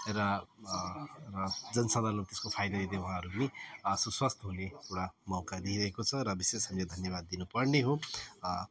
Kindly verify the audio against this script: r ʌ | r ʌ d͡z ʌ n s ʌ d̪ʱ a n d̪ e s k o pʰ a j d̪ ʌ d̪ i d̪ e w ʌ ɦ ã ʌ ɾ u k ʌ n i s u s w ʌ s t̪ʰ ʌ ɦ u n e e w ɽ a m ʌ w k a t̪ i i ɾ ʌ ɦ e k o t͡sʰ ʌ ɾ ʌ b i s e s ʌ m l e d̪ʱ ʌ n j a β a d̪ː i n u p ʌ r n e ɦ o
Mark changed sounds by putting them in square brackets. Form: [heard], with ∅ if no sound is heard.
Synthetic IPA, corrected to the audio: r ʌ | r ʌ d͡z ʌ n s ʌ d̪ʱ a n [t̪] e s k o pʰ a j d̪ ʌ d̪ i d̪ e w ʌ ɦ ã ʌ ɾ u [p] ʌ n i s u s w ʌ s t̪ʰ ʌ ɦ u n e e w ɽ a m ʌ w k a [d̪] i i ɾ ʌ ɦ e k o t͡sʰ ʌ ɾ ʌ b i s e s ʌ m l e d̪ʱ ʌ n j [ʌ] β a d̪ː i n u p ʌ r n e ɦ o